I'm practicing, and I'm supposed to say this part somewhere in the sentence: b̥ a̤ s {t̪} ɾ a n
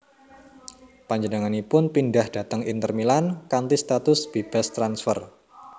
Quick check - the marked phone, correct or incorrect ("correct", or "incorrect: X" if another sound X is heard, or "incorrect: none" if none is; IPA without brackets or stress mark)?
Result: correct